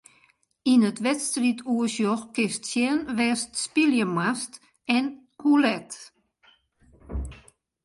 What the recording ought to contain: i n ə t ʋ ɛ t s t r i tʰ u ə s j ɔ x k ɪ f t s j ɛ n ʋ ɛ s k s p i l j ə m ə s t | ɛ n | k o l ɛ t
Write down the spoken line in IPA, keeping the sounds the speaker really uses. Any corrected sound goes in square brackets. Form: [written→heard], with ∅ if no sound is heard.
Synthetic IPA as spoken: i n ə t ʋ ɛ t s t r i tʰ u ə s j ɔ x k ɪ [f→s] t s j ɛ n ʋ ɛ s [k→t] s p i l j ə m [ə→a] s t | ɛ n | k [o→u] l ɛ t

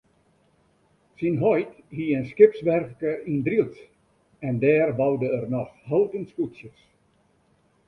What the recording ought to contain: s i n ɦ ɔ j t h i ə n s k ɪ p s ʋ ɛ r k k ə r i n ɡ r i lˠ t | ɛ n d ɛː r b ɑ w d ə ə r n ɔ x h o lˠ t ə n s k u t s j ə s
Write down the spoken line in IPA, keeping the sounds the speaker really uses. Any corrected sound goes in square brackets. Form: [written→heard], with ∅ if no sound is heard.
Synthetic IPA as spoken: s i n ɦ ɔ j t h i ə n s k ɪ p s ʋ ɛ r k k ə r i n [ɡ→d] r i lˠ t | ɛ n d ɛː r b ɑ w d ə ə r n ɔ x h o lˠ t ə n s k u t s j ə s

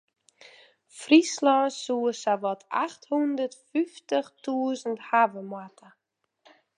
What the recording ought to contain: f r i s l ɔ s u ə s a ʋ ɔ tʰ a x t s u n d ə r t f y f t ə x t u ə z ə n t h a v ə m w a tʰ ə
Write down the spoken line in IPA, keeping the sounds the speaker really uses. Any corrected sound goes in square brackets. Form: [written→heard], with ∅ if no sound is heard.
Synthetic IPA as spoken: f r i s l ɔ s u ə s a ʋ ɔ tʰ a x t [s→h] u n d ə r t f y f t ə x t u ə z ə n t h a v ə m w a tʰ ə

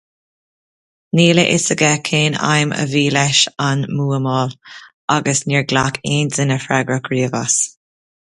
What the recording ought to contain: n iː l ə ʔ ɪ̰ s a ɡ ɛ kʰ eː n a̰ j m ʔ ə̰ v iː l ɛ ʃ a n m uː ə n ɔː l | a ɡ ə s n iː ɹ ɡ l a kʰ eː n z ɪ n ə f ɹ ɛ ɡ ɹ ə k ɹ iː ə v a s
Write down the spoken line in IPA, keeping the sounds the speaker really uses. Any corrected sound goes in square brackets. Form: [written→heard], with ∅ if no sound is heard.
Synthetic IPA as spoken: n iː l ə ʔ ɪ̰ s [a→ə] ɡ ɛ kʰ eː n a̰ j m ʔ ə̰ v iː l ɛ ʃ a n m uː ə [n→m] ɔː l | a ɡ ə s n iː ɹ ɡ l a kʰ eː n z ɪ n ə f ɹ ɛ ɡ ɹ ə k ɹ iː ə v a s

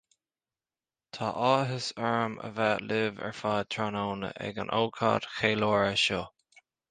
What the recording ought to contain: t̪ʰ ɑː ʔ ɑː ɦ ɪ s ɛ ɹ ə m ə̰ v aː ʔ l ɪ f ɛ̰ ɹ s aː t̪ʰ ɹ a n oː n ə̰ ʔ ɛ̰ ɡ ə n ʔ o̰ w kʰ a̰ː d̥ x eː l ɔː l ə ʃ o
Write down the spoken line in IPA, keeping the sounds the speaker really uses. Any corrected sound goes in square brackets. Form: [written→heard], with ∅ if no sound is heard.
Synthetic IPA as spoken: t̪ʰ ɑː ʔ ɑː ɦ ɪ s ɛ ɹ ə m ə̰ v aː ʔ l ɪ [f→v] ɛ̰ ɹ [s→f] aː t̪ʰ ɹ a n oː n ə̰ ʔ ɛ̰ ɡ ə n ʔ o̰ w kʰ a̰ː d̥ x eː l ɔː [l→ɹ] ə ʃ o

